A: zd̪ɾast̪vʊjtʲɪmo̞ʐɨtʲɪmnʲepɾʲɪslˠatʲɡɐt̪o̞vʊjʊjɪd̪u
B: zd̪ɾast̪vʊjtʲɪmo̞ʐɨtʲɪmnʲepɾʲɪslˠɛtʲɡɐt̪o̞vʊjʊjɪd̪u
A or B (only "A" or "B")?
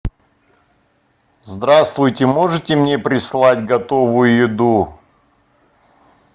A